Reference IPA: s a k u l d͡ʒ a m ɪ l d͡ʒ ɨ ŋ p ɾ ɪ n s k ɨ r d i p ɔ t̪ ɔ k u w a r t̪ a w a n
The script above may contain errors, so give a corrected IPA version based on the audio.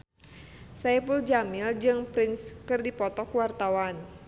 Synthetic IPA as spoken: s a p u l d͡ʒ a m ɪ l d͡ʒ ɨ ŋ p ɾ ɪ n s k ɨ r d i p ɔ t̪ ɔ k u w a r t̪ a w a n